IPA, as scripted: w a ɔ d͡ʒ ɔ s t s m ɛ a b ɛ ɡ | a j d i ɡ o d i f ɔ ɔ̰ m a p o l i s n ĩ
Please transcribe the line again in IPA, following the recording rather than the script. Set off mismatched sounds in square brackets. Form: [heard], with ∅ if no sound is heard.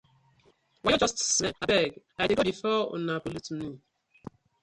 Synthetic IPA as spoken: w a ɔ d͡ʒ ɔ s t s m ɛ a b ɛ ɡ | a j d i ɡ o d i f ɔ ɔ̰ [n] a p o l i [t] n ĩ